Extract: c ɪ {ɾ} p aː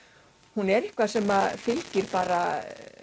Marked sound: correct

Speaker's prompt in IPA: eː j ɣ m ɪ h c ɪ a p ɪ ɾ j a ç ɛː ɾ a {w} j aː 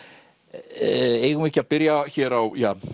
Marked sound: correct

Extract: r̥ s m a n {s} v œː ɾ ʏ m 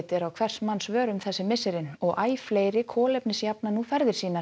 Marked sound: correct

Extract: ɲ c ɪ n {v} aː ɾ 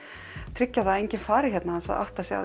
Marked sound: incorrect: f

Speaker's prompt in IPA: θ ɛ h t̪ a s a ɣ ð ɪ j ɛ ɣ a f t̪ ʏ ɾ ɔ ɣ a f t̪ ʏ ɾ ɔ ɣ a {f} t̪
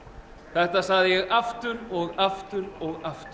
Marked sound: correct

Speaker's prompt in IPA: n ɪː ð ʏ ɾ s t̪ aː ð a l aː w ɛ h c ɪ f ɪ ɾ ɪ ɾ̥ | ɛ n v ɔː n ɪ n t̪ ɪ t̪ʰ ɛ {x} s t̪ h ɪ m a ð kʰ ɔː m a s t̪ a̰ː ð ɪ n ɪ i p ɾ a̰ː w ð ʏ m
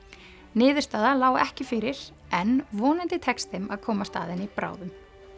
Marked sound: incorrect: k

